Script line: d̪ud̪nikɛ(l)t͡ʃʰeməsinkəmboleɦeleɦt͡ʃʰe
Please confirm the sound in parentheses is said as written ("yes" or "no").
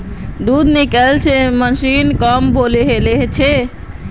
yes